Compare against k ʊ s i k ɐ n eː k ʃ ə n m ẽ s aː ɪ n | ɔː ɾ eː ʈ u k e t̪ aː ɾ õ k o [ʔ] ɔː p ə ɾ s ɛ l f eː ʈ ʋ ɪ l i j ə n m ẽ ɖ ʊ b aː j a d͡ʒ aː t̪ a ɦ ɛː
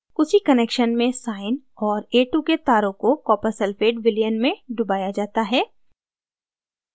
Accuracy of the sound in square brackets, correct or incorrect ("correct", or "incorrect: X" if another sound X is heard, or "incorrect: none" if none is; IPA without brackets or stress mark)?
incorrect: k